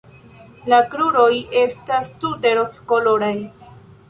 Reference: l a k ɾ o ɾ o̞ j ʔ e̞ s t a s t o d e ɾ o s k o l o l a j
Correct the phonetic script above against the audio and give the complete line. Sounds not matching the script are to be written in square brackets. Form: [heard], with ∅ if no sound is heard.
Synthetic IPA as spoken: l a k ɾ [u] ɾ o̞ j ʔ e̞ s t a s t [u] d e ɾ o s k o l o [ɾ] a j

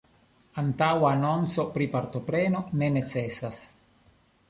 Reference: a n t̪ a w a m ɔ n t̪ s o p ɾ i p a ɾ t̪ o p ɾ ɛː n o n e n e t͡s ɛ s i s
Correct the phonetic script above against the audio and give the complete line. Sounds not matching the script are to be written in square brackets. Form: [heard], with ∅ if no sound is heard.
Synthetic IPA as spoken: a n t̪ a w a [n] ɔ n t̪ s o p ɾ i p a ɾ t̪ o p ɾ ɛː n o n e n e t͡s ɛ s [a] s

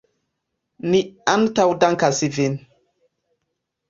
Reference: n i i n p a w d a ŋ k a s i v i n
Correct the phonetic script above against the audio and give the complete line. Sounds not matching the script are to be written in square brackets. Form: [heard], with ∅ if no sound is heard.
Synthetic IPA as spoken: n i [a] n [t] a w d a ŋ k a s i v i n

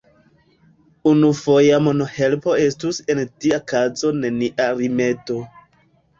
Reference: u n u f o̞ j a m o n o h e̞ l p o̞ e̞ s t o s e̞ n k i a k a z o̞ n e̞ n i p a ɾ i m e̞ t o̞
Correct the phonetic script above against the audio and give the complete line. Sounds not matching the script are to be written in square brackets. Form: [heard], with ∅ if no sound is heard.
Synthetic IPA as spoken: u n u f o̞ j a m o n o h e̞ l p o̞ e̞ s t [u] s e̞ n [t] i a k a z o̞ n e̞ n i [ʔ] a ɾ i m e̞ t o̞

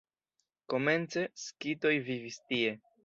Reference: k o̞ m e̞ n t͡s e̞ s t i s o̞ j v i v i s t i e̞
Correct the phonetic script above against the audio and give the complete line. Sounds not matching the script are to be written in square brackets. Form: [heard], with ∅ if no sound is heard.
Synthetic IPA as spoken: k o̞ m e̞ n t͡s e̞ s [k] i [t] o̞ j v i v i s t i e̞

